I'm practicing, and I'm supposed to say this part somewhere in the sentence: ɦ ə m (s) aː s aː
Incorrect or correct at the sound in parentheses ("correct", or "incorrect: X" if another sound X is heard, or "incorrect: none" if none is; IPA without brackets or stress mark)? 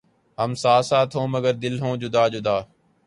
correct